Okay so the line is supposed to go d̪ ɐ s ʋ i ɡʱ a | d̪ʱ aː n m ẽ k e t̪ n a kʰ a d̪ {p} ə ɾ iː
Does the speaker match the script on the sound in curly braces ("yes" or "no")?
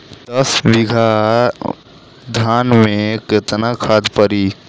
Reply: yes